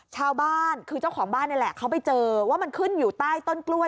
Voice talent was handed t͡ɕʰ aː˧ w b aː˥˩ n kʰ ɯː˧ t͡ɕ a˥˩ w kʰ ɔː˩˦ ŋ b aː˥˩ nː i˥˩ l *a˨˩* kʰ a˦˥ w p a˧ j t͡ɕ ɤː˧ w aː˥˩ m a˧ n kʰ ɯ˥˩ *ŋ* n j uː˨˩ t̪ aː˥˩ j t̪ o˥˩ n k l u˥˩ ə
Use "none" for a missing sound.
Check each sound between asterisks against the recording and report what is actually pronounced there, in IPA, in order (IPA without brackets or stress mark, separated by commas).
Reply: ɛ˨˩, none